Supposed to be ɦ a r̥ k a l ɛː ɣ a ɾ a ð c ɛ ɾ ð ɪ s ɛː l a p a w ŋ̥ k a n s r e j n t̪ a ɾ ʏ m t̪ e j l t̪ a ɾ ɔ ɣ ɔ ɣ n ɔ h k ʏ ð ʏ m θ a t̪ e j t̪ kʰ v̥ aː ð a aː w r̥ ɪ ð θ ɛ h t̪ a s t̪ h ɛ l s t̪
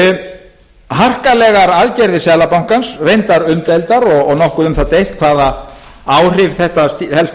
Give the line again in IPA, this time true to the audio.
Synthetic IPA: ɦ a r̥ k a l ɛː ɣ a ɾ a ð c ɛ ɾ ð ɪ s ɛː l a p a w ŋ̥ k a n s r e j n t̪ a ɾ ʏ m t̪ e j l t̪ a ɾ ɔ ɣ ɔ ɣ n ɔ h k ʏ ð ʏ m θ a t̪ e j t̪ kʰ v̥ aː ð a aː w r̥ ɪ v θ ɛ h t̪ a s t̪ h ɛ l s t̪